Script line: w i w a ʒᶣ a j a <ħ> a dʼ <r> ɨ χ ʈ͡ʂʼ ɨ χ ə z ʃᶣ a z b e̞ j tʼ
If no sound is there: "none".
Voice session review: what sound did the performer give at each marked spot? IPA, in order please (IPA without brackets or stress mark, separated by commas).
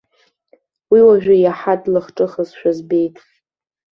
ħ, l